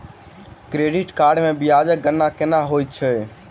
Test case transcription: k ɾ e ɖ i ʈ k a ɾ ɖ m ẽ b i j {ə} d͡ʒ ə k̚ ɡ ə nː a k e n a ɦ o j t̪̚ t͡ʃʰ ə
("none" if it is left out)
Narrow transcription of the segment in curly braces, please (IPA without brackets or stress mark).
a